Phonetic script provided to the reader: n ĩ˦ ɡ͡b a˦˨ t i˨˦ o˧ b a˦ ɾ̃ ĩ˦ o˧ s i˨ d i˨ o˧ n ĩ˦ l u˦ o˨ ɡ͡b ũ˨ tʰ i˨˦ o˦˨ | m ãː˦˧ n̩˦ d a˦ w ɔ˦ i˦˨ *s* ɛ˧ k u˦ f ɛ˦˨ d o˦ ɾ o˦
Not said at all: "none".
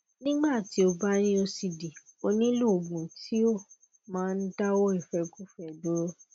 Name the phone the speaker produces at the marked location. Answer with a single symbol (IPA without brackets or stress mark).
f